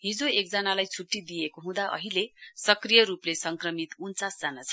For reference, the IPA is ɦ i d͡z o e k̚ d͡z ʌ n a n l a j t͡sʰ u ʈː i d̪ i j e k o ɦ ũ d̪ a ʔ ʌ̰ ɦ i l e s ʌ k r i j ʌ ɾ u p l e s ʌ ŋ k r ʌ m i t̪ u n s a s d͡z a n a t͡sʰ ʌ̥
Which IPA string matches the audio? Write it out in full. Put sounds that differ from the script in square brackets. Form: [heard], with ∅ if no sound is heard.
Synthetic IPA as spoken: ɦ i d͡z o e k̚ d͡z ʌ n a [∅] l a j t͡sʰ u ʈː i d̪ i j e k o ɦ ũ d̪ a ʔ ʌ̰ ɦ i l e s ʌ k r i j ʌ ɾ u p l e s ʌ ŋ k r ʌ m i t̪ u n [t͡s] a s d͡z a n a t͡sʰ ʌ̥